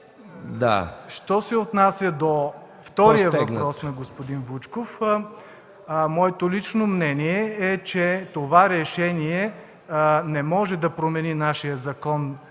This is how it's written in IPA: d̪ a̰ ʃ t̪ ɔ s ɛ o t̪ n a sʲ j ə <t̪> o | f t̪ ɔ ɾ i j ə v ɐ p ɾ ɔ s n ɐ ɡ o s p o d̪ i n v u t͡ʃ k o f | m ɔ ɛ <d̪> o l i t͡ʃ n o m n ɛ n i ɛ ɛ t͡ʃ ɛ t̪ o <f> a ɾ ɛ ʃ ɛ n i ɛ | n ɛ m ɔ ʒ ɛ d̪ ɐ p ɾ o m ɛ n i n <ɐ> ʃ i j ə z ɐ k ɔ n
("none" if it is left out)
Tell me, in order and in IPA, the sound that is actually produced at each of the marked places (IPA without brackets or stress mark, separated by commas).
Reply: d̪, t̪, v, a